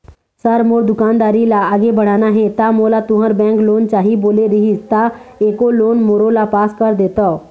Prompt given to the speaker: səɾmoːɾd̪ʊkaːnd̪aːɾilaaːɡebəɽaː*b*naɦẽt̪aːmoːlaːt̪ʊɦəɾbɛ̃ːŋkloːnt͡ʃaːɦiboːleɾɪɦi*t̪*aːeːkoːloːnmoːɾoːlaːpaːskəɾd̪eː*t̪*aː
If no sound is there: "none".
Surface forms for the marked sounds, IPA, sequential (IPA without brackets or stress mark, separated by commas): none, t̪, t̪